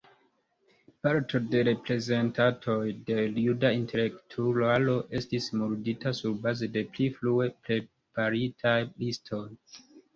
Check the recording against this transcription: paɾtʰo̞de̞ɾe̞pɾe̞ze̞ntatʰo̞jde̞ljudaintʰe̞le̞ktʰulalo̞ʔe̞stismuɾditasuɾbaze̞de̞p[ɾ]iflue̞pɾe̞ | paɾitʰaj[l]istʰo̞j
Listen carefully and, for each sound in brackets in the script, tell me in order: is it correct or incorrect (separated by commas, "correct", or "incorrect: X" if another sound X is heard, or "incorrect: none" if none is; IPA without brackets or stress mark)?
incorrect: l, correct